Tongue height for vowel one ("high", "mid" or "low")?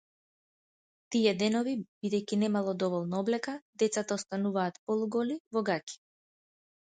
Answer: high